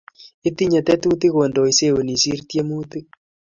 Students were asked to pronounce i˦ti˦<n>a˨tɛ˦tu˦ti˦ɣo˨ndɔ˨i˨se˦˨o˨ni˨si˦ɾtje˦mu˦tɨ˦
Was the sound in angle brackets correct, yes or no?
no